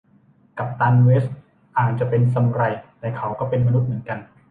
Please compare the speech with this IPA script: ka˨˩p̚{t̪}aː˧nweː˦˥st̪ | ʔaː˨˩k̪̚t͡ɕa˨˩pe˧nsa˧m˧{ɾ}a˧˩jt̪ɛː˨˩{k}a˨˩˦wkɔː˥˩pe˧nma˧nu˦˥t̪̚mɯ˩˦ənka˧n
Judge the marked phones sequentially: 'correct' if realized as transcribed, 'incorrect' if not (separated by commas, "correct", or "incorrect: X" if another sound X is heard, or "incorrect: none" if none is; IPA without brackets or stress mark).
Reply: correct, correct, incorrect: kʰ